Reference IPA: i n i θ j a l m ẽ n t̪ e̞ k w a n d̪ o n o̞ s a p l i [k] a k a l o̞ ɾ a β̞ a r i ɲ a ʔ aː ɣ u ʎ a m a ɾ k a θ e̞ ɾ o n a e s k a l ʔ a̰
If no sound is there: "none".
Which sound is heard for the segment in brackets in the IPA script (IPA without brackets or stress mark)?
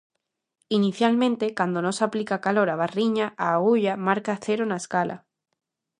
k